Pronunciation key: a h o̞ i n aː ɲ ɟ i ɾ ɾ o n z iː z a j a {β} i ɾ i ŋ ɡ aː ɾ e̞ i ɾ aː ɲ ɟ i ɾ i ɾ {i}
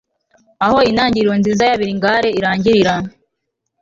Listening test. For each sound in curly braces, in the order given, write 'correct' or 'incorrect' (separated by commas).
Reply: correct, incorrect